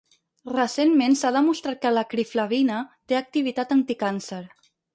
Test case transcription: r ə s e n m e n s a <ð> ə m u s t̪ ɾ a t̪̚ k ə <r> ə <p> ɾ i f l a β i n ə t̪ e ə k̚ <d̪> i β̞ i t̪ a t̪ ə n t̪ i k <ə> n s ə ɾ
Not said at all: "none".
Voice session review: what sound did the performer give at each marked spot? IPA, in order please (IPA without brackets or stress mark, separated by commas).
ð, l, k, t̪, a